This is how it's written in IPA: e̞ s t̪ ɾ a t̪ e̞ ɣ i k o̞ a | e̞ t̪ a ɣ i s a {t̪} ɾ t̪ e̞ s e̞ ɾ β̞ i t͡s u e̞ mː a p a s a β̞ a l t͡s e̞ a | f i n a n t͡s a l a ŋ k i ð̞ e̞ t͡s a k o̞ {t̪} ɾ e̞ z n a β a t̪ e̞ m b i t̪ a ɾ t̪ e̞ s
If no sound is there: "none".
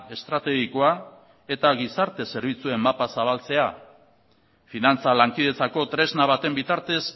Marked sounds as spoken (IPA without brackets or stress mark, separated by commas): none, t̪